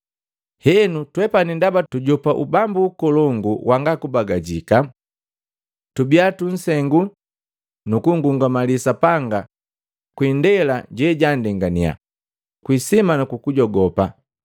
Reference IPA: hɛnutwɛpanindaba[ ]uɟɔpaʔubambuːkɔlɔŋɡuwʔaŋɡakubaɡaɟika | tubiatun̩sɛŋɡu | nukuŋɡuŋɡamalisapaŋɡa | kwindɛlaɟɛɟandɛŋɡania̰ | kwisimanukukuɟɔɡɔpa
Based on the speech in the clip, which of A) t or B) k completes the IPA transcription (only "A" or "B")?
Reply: A